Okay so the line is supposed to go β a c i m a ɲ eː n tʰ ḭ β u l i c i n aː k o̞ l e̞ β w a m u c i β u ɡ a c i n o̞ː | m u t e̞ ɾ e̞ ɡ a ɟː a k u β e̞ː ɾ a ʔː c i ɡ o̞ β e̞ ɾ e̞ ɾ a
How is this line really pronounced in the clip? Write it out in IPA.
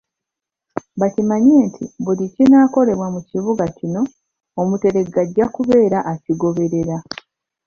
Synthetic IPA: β a c i m a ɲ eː n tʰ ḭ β u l i c i n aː k o̞ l e̞ β w a m u c i β u ɡ a c i n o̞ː | m u t e̞ ɾ e̞ ɡ a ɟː a k u β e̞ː ɾ a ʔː c i ɡ o̞ β e̞ ɾ e̞ ɾ a